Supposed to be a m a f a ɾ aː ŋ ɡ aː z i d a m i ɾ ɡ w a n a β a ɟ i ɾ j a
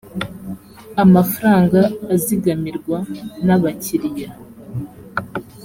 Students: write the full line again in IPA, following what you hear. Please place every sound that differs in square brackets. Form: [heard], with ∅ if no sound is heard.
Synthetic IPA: a m a f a ɾ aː ŋ ɡ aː z i [ɡ] a m i ɾ ɡ w a n a β a [c] i ɾ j a